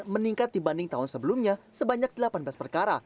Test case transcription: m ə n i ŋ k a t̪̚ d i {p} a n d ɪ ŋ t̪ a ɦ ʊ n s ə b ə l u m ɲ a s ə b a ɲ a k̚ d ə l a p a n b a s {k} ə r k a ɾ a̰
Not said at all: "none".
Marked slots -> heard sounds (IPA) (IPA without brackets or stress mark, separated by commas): b, p